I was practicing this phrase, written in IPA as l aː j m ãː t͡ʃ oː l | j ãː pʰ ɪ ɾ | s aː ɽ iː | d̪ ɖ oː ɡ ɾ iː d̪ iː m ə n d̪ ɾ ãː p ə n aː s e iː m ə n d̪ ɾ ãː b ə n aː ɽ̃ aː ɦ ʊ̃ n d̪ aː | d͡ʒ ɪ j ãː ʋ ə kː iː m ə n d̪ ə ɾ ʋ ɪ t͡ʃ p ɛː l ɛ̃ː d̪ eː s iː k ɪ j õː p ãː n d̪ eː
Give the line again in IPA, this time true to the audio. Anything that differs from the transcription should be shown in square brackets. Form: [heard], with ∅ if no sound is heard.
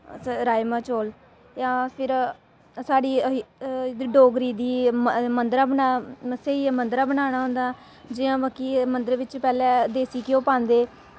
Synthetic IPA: [ɾ] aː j m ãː t͡ʃ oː l | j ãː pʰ ɪ ɾ | s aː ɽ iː | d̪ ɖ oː ɡ ɾ iː d̪ iː m ə n d̪ ɾ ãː [b] ə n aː s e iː m ə n d̪ ɾ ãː b ə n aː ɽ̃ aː ɦ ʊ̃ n d̪ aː | d͡ʒ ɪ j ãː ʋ ə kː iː m ə n d̪ ə ɾ ʋ ɪ t͡ʃ p ɛː l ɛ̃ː d̪ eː s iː k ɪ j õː p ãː n d̪ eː